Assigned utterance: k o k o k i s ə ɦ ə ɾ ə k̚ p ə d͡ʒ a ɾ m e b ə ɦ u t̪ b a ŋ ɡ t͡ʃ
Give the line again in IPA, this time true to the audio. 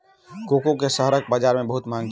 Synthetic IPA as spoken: k o k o k e s ə ɦ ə ɾ ə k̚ b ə d͡ʒ a ɾ m e b ə ɦ u t̪ m a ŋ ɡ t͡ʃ